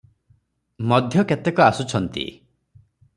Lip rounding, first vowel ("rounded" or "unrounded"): rounded